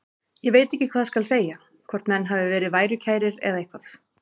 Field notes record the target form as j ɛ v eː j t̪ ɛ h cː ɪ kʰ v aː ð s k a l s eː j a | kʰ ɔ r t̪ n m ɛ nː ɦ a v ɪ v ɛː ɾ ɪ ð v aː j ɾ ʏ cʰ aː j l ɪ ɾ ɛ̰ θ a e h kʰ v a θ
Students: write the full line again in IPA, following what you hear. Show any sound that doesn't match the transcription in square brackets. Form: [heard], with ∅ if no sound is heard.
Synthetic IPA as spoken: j ɛ v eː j t̪ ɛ h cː ɪ kʰ v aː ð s k a l s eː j a | kʰ ɔ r t̪ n m ɛ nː ɦ a v ɪ v ɛː ɾ ɪ ð v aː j ɾ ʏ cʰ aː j [ɾ] ɪ ɾ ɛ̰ [ð] a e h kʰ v a θ